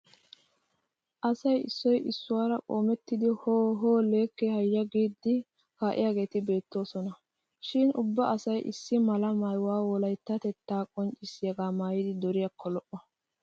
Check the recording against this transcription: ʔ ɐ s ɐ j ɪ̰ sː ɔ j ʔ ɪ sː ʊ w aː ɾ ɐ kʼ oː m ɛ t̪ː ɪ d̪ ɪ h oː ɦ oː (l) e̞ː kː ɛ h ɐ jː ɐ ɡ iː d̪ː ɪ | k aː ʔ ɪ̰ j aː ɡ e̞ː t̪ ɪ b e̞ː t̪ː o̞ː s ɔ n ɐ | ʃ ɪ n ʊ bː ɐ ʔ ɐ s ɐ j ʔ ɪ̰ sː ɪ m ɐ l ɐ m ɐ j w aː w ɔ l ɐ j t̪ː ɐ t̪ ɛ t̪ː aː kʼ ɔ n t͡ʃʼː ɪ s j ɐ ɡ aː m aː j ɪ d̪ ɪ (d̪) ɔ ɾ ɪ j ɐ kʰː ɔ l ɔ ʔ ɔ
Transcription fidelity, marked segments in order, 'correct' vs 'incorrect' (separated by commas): correct, correct